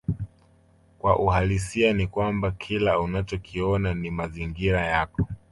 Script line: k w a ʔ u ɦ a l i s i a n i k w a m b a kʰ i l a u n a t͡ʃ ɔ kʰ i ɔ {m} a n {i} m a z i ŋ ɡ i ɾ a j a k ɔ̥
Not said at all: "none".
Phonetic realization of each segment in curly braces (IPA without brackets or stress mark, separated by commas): n, i